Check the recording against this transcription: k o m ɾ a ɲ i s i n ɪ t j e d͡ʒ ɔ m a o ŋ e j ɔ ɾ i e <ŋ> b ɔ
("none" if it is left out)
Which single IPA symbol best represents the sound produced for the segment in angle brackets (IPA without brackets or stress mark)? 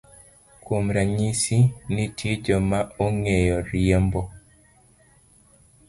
m